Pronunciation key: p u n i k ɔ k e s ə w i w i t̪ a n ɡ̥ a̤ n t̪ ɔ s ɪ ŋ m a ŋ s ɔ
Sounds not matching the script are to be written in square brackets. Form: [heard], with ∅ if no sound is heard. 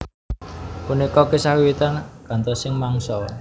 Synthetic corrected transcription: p u n i k ɔ k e s [a] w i w i t̪ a n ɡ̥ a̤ n t̪ ɔ s ɪ ŋ m a ŋ s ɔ